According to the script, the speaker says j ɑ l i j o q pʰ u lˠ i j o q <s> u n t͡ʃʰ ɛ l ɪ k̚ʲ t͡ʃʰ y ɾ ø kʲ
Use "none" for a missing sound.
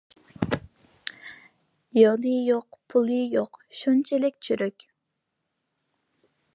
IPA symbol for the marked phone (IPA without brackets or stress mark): ʃ